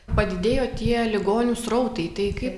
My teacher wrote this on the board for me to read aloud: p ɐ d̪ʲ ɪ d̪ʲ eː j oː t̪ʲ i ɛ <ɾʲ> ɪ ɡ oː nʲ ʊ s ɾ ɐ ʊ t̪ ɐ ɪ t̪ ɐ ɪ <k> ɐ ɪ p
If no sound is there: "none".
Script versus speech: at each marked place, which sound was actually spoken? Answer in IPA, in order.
lʲ, k

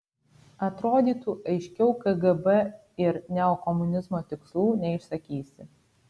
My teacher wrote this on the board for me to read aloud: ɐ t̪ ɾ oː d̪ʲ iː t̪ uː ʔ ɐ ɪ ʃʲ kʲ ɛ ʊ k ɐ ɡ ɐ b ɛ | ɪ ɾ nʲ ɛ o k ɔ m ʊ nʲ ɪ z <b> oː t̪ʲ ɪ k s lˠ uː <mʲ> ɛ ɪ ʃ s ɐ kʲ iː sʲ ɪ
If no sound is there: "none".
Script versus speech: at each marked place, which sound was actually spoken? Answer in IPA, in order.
m, nʲ

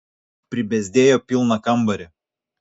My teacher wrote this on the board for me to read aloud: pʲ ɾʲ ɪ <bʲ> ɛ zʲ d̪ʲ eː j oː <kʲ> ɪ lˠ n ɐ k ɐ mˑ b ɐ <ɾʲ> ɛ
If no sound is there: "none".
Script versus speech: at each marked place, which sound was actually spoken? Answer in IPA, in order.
bʲ, pʲ, ɾʲ

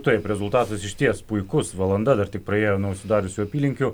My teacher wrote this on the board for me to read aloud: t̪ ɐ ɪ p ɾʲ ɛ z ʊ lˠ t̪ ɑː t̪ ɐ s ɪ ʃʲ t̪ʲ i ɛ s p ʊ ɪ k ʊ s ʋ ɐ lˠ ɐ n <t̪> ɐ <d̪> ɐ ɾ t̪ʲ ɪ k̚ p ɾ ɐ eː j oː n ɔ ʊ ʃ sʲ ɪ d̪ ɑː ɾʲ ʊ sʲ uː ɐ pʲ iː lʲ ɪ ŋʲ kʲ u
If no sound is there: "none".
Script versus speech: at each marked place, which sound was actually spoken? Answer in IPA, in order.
d̪, d̪

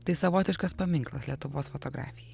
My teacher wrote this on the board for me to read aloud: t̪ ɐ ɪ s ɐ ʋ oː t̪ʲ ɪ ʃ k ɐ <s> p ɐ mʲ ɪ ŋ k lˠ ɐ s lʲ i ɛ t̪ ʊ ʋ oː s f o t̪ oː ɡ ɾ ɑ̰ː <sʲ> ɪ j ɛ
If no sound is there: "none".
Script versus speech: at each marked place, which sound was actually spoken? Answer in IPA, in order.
s, fʲ

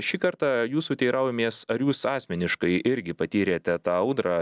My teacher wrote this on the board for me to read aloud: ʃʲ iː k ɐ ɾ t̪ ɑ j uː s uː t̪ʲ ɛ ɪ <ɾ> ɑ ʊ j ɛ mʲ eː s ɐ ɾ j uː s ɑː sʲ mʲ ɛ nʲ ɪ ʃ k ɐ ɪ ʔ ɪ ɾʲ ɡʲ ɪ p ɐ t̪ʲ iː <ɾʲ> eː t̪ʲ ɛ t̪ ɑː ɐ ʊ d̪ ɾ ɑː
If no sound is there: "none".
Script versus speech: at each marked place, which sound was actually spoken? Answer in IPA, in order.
ɾ, ɾʲ

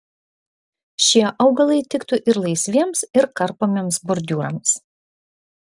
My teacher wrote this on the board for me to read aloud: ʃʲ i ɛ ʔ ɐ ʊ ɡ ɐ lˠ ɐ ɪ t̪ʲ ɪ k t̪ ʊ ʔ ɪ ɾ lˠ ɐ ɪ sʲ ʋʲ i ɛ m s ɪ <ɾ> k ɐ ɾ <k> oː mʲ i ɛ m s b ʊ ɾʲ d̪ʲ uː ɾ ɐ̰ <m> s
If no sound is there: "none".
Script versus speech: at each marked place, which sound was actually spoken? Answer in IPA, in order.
ɾ, p, m

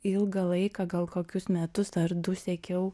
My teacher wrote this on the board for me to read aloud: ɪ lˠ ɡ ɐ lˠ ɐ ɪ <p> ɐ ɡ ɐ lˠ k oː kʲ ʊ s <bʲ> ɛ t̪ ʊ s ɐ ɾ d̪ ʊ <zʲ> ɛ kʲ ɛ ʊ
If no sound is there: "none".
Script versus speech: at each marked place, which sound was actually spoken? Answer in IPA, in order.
k, mʲ, sʲ

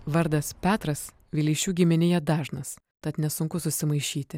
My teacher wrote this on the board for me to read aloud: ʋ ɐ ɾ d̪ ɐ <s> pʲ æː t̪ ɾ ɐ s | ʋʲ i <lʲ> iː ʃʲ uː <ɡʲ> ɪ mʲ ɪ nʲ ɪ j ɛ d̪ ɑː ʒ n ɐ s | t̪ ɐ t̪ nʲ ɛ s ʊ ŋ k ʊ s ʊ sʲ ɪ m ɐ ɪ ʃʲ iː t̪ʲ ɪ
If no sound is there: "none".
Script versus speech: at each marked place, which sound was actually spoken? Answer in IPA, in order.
s, lʲ, ɡʲ

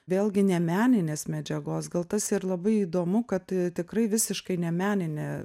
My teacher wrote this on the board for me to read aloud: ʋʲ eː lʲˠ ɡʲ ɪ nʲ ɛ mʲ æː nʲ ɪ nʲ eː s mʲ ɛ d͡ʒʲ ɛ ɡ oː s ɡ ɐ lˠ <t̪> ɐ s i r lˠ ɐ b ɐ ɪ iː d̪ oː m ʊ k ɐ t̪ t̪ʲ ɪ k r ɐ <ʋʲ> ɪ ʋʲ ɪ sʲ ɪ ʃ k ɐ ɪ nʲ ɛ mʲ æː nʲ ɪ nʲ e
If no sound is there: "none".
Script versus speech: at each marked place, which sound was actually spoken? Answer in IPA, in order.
t̪, none

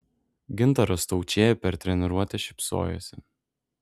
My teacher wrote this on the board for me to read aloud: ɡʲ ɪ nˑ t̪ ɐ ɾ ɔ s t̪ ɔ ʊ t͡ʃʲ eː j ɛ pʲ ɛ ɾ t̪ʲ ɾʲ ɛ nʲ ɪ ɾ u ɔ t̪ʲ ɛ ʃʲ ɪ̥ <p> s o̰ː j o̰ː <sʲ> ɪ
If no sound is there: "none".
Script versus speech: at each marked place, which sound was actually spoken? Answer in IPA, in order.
p, sʲ

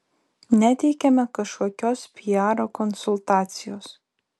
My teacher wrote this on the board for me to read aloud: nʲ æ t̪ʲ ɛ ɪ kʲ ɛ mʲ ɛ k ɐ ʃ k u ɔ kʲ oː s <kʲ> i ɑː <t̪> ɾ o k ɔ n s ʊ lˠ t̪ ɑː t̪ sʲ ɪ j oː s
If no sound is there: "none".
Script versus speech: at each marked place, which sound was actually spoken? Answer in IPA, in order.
pʲ, none

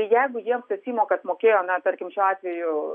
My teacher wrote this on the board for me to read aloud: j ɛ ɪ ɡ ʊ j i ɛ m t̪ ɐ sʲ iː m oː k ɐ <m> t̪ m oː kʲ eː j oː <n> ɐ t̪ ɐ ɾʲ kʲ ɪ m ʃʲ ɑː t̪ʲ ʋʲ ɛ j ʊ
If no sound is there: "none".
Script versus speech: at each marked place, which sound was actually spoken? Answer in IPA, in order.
none, n

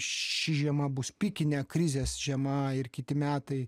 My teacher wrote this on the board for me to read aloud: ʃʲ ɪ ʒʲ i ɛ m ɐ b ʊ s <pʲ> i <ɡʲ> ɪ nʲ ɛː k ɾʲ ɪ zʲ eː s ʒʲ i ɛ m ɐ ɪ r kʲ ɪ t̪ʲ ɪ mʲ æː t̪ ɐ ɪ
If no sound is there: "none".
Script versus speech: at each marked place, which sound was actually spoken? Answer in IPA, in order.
pʲ, kʲ

